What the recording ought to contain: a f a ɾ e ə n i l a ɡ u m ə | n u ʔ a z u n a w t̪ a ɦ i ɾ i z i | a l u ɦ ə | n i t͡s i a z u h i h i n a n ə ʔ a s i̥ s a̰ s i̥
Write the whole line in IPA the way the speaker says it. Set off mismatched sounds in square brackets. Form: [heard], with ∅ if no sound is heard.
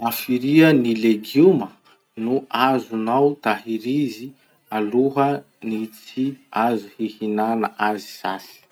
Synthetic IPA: a f [i] ɾ [i] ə n i l [e] ɡ u m ə | n u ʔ a z u n a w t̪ a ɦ i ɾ i z i | a l u ɦ ə | n i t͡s i a z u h i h i n a n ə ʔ a [z] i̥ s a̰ s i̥